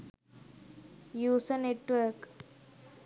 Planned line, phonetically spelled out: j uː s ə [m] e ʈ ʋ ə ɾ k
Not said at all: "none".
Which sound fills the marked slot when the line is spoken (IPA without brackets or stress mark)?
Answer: n